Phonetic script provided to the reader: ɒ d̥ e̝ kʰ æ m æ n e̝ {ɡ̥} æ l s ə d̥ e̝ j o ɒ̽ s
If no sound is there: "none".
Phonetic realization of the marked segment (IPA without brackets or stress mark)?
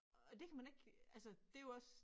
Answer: ɡ̥